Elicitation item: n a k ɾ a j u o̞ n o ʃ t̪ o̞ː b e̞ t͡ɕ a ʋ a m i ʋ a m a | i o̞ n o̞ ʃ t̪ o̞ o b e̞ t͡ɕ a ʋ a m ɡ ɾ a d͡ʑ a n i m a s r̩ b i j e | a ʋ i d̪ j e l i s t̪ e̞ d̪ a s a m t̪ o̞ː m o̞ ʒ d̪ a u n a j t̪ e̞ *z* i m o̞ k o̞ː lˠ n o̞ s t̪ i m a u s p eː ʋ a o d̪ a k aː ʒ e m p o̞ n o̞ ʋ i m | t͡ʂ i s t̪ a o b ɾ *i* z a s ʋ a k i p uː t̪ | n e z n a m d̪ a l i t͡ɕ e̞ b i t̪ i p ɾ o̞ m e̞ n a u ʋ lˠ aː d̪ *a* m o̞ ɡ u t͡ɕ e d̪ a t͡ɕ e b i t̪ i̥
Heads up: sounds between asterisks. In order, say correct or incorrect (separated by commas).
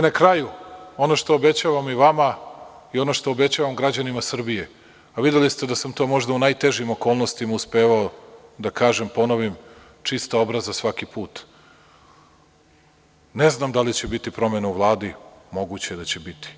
incorrect, incorrect, incorrect